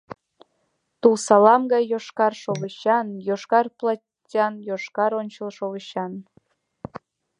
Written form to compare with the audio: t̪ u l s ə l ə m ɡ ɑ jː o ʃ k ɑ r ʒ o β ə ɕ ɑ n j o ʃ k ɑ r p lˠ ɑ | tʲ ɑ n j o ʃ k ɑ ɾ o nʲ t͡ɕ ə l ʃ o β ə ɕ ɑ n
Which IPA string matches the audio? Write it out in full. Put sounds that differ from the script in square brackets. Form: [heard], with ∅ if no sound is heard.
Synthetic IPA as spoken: t̪ u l s [ɑ] l [ɑ] m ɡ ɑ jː o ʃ k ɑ r [ʃ] o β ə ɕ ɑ n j o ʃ k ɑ r p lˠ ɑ | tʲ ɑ n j o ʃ k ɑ ɾ o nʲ t͡ɕ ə l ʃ o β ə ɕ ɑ n